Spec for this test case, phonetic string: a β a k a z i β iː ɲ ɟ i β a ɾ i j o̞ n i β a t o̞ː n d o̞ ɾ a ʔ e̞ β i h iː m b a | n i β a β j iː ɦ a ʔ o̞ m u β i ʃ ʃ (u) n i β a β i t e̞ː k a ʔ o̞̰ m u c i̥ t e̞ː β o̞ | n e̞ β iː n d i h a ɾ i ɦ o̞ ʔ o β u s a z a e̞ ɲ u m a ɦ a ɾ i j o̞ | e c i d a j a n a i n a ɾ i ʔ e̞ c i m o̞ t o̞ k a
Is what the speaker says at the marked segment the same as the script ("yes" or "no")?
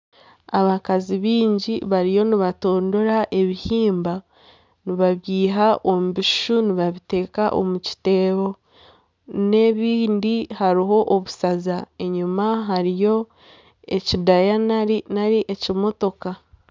yes